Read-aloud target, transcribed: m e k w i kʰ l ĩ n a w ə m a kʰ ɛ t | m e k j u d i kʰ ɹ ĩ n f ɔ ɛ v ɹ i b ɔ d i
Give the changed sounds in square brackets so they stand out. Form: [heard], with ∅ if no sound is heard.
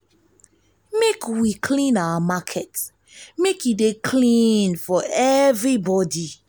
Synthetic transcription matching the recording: m e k w i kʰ l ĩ n a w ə m a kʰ ɛ t | m e k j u d [e] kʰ [l] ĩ n f ɔ ɛ v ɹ i b ɔ d i